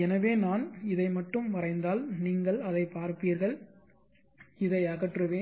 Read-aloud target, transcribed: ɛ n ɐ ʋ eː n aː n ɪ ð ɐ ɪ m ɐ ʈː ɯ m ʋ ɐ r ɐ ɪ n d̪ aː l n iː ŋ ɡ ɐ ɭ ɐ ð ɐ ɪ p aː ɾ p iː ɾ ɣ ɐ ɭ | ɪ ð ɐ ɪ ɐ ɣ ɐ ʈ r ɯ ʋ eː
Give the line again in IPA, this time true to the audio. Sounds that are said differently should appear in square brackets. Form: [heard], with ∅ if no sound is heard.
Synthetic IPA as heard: ɛ n ɐ ʋ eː n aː n ɪ ð ɐ ɪ m ɐ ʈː ɯ m ʋ ɐ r ɐ ɪ n d̪ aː l n iː ŋ ɡ ɐ ɭ ɐ ð ɐ ɪ p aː ɾ p iː ɾ ɣ ɐ ɭ | ɪ ð ɐ ɪ ɐ ɣ ɐ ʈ r ɯ ʋ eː

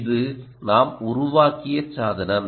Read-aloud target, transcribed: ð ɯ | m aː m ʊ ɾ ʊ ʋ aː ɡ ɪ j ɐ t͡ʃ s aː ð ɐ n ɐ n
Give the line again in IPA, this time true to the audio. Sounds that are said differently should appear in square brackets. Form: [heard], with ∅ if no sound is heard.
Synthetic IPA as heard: ð ɯ | [n] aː m ʊ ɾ ʊ ʋ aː [k] ɪ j ɐ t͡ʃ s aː ð ɐ n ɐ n

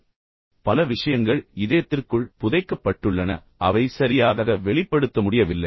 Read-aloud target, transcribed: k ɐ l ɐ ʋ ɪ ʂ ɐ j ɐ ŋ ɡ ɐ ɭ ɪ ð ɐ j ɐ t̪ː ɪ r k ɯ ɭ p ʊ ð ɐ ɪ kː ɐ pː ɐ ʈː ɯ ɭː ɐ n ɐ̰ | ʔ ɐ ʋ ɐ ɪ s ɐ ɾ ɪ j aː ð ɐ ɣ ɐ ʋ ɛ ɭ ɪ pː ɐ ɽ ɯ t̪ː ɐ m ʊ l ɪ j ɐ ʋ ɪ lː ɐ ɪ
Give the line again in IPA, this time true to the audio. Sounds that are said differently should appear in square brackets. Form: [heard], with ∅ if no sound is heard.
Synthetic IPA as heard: [p] ɐ l ɐ ʋ ɪ ʂ ɐ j ɐ ŋ ɡ ɐ ɭ ɪ ð ɐ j ɐ t̪ː ɪ r k ɯ ɭ p ʊ ð ɐ ɪ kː ɐ pː ɐ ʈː ɯ ɭː ɐ n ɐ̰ | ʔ ɐ ʋ ɐ ɪ s ɐ ɾ ɪ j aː ð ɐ ɣ ɐ ʋ ɛ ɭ ɪ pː ɐ ɽ ɯ t̪ː ɐ m ʊ [ɽ] ɪ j ɐ ʋ ɪ lː ɐ ɪ

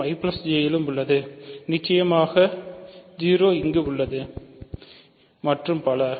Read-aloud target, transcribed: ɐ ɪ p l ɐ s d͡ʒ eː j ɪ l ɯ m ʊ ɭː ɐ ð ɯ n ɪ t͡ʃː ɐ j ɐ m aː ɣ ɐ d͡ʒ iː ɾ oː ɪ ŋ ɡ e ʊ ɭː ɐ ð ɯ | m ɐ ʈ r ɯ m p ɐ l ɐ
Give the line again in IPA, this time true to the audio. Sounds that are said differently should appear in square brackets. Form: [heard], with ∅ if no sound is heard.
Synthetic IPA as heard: ɐ ɪ p l ɐ s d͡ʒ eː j ɪ l ɯ m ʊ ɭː ɐ ð ɯ n ɪ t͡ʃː ɐ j ɐ m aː ɣ ɐ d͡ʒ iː ɾ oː ɪ ŋ ɡ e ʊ ɭː ɐ ð ɯ | m ɐ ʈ r ɯ m p ɐ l ɐ

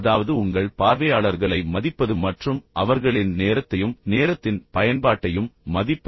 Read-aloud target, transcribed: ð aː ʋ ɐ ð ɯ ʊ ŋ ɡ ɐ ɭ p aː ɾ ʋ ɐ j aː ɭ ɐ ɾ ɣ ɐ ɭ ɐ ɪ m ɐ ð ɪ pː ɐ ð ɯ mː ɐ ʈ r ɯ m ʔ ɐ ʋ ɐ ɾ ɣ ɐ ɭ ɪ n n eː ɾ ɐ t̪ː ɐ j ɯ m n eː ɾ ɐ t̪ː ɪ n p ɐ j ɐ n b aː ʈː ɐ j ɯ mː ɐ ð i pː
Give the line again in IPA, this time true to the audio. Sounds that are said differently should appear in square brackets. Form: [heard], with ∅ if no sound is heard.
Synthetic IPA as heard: ð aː ʋ ɐ ð ɯ ʊ ŋ ɡ ɐ ɭ p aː ɾ ʋ ɐ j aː ɭ ɐ ɾ ɣ ɐ ɭ ɐ ɪ m ɐ ð ɪ pː ɐ ð ɯ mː ɐ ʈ r ɯ m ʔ ɐ ʋ ɐ ɾ ɣ ɐ ɭ ɪ n n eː ɾ ɐ t̪ː ɐ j ɯ m n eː ɾ ɐ t̪ː ɪ n p ɐ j ɐ n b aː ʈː ɐ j ɯ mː ɐ ð [ɪ] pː

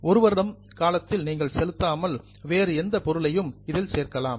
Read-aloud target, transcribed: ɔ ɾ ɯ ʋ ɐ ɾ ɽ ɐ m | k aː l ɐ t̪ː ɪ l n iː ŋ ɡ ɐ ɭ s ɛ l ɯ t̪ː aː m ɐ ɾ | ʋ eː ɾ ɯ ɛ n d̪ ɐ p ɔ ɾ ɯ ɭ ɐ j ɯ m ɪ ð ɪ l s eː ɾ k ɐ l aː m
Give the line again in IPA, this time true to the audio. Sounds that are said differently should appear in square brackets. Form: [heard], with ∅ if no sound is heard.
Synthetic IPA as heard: ɔ ɾ ɯ ʋ ɐ ɾ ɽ ɐ m | k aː l ɐ t̪ː ɪ l n iː ŋ ɡ ɐ ɭ s ɛ l ɯ t̪ː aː m ɐ [l] | ʋ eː ɾ ɯ ɛ n d̪ ɐ p ɔ ɾ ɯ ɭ ɐ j ɯ m ɪ ð ɪ l s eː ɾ k ɐ l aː m

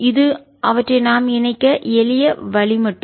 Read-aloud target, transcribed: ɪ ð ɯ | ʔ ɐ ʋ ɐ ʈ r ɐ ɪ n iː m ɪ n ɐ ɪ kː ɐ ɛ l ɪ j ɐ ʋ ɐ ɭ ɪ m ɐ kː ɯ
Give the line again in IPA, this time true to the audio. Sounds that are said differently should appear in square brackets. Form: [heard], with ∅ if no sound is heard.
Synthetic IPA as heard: ɪ ð ɯ | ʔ ɐ ʋ ɐ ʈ r ɐ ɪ n [aː] m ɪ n ɐ ɪ kː ɐ ɛ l ɪ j ɐ ʋ ɐ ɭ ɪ m ɐ [ʈː] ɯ

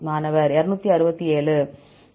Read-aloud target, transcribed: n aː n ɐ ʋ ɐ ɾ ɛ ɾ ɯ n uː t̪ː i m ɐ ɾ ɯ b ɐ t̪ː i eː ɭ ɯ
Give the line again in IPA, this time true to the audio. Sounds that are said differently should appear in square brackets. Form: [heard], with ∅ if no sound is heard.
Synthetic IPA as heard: [m] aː n ɐ ʋ ɐ ɾ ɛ ɾ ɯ n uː t̪ː i [∅] ɐ ɾ ɯ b ɐ t̪ː i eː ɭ ɯ

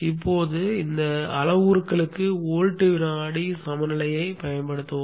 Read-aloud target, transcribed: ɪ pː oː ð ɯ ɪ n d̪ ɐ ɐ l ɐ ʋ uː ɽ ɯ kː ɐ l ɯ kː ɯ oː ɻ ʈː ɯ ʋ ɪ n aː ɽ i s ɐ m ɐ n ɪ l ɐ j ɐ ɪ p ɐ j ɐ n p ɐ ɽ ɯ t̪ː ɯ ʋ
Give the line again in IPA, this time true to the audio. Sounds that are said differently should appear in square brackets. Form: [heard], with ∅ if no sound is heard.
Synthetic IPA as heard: ɪ pː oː ð ɯ ɪ n d̪ ɐ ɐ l ɐ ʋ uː [ɾ] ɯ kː ɐ [ɭ] ɯ kː ɯ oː ɻ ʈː ɯ ʋ ɪ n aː ɽ i s ɐ m ɐ n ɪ l ɐ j ɐ ɪ p ɐ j ɐ n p ɐ ɽ ɯ t̪ː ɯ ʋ

